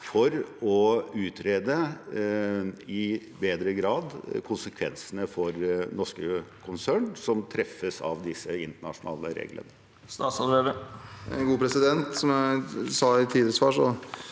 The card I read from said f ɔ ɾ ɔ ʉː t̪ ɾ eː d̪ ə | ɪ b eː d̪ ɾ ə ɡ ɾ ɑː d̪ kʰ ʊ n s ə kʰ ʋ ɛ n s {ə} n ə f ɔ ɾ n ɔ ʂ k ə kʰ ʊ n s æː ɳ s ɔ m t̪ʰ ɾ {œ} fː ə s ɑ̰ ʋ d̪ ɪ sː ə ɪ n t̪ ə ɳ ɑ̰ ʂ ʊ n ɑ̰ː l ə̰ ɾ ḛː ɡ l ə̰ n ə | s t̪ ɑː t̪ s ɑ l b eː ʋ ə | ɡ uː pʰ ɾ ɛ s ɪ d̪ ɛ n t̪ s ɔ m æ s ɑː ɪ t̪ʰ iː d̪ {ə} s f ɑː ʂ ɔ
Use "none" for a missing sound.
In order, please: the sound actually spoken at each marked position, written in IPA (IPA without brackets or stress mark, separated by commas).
ə, ɛ, ə